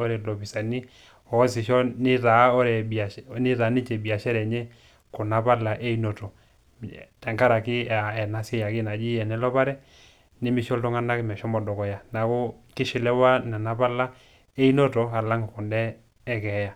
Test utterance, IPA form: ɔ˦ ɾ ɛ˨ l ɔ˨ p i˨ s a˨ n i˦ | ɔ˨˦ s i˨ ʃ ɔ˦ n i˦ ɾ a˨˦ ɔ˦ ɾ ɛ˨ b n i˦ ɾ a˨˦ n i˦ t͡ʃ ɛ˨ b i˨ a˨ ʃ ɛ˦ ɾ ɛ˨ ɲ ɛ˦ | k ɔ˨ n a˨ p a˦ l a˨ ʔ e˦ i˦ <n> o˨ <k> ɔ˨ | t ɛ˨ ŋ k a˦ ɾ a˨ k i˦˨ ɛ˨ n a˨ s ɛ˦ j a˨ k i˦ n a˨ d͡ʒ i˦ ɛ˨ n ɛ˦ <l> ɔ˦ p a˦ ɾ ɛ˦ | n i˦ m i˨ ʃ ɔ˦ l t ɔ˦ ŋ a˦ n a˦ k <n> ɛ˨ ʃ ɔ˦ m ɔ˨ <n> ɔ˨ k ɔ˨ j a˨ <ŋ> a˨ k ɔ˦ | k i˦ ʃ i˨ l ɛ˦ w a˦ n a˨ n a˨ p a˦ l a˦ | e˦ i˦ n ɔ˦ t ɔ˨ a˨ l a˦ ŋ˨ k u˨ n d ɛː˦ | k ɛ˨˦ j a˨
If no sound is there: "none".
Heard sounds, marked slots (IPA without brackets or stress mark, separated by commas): n, t, l, m, d, n